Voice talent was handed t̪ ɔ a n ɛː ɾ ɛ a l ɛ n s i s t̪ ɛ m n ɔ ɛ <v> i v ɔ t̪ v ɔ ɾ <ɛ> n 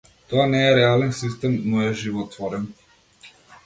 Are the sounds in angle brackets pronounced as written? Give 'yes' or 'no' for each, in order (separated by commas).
no, yes